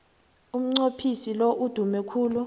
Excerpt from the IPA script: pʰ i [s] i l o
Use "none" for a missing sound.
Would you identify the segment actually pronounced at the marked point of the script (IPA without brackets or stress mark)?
s